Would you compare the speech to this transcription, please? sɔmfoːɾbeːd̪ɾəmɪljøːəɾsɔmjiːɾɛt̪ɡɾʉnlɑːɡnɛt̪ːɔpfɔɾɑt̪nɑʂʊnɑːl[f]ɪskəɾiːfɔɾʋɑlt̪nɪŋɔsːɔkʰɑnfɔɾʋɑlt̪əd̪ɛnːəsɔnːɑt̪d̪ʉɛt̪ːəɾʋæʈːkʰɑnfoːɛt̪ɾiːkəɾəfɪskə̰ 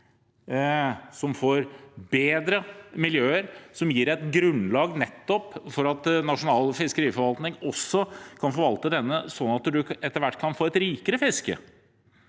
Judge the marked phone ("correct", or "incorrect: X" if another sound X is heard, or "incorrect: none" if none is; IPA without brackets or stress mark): correct